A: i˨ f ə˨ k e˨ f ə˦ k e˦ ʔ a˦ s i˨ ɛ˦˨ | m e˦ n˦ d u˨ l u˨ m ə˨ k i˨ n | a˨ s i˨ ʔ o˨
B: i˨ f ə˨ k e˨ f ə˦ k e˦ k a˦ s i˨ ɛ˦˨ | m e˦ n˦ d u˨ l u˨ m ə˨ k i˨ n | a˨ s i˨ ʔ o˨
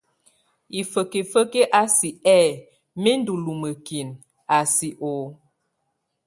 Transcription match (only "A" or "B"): A